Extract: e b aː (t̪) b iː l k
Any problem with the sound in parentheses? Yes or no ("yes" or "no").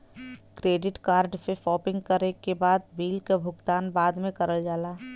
yes